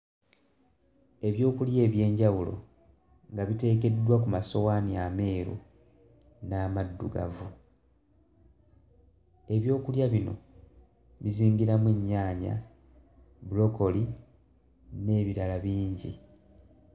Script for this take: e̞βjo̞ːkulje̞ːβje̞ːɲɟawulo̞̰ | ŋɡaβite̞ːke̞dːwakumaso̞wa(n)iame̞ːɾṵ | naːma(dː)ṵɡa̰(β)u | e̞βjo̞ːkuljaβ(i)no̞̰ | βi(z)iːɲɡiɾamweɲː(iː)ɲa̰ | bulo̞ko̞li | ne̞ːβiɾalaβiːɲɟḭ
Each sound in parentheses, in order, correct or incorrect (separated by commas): correct, correct, incorrect, correct, correct, incorrect